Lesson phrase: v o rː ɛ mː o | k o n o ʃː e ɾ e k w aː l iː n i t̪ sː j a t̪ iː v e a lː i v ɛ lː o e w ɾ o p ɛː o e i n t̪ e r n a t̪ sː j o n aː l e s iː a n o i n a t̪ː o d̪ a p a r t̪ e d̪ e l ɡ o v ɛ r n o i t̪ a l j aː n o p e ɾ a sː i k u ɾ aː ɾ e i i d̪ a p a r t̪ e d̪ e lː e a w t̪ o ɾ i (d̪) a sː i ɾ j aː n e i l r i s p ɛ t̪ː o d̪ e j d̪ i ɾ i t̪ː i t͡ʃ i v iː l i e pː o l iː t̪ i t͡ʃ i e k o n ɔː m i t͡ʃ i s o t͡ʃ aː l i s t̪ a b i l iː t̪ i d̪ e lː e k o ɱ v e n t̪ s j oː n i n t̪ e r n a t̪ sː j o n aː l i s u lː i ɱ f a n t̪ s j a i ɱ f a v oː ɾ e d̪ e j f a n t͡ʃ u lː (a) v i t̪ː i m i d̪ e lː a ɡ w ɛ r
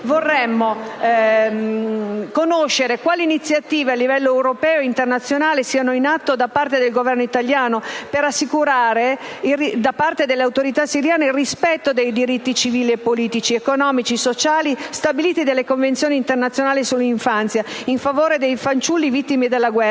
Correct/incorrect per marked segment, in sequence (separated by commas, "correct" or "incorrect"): incorrect, incorrect